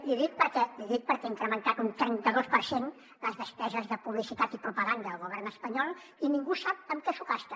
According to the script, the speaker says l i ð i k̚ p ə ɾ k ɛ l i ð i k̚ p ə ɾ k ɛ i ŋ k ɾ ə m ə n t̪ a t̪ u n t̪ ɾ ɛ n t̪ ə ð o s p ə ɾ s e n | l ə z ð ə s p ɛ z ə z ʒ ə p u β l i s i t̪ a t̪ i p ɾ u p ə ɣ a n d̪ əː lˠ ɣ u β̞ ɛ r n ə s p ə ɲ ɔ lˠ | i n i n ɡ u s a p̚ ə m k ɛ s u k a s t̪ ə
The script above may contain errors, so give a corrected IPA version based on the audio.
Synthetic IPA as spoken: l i ð i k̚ p ə ɾ k ɛ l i ð i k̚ p ə ɾ k ɛ i ŋ k ɾ ə m ə n t̪ a t̪ u n t̪ ɾ ɛ n t̪ ə ð o s p ə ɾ s e n | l ə z ð ə s p ɛ z ə z ð ə p u β l i s i t̪ a t̪ i p ɾ u p ə ɣ a n d̪ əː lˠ ɣ u β̞ ɛ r n ə s p ə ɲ ɔ lˠ | i n i ŋ ɡ u s a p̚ ə m k ɛ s u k a s t̪ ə